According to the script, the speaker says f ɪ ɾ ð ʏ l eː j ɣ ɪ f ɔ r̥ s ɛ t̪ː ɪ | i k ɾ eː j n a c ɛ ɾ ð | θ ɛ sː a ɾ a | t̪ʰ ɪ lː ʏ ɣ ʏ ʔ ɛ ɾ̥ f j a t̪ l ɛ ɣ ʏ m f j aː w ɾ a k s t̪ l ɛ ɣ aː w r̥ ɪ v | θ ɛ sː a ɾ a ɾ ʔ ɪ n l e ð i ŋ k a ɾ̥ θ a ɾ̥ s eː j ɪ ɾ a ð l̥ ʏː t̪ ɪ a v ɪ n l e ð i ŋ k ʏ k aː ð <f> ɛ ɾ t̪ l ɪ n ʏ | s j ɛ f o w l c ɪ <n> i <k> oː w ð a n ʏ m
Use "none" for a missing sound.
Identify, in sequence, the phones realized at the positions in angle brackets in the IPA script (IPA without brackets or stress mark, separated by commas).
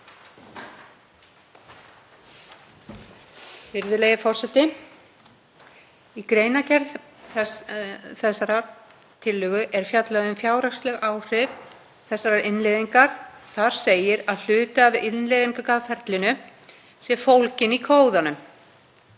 f, n, kʰ